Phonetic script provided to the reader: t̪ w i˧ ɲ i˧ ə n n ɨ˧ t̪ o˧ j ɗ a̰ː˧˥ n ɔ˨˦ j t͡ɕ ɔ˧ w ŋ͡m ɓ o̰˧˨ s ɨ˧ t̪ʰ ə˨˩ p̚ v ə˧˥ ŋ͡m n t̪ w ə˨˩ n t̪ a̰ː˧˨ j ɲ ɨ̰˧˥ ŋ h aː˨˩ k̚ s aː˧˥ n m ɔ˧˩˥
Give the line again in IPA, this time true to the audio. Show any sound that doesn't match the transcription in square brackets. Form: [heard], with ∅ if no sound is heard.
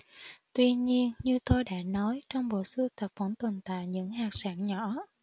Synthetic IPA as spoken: t̪ w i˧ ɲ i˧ ə n [ɲ] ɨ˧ t̪ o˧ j ɗ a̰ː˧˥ n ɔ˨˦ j t͡ɕ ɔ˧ w ŋ͡m ɓ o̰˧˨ s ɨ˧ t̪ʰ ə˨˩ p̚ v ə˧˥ [∅] n t̪ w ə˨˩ n t̪ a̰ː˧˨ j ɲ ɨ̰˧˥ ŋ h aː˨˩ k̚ s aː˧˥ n [ɲ] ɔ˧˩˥